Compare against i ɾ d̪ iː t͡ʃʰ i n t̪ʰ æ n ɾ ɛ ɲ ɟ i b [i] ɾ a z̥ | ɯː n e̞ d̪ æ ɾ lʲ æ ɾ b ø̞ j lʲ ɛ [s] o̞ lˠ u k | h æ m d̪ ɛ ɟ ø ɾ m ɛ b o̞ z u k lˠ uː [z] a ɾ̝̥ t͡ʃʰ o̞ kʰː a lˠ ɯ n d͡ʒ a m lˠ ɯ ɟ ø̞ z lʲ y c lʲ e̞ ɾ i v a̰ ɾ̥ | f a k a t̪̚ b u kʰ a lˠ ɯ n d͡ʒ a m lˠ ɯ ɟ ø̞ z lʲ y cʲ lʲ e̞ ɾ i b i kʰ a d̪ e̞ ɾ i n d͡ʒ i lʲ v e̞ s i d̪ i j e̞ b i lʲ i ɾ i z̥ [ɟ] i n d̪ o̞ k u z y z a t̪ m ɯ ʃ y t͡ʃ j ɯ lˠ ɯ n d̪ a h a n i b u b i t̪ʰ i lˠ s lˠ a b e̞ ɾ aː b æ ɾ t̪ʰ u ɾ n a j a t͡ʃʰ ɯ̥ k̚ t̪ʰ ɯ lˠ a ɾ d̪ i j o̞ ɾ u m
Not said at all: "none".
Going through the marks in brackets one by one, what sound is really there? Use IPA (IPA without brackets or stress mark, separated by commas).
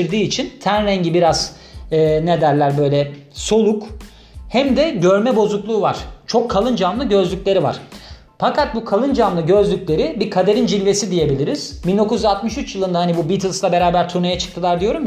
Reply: i, s, v, b